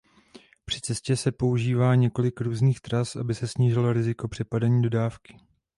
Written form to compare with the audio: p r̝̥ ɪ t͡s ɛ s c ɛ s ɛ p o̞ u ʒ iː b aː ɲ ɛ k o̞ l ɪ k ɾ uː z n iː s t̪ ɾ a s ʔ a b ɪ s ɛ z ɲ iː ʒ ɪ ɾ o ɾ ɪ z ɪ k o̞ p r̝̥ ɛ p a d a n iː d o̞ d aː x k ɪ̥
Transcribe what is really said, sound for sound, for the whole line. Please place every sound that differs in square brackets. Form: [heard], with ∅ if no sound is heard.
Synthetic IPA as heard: p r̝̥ ɪ t͡s ɛ s c ɛ s ɛ p o̞ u ʒ iː [v] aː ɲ ɛ k o̞ l ɪ k ɾ uː z n iː [x] t̪ ɾ a s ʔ a b ɪ s ɛ [s] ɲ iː ʒ ɪ [l] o ɾ ɪ z ɪ k o̞ p r̝̥ ɛ p a d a [ɲ] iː d o̞ d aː [f] k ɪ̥